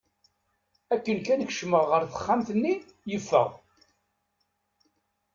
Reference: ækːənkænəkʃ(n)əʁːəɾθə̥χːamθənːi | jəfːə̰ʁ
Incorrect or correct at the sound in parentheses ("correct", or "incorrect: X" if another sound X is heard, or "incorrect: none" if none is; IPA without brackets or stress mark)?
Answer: incorrect: m